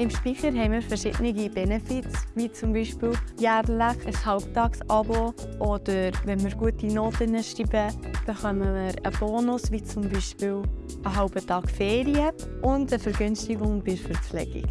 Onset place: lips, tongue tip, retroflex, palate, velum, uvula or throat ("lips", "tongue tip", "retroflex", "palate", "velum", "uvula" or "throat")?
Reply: lips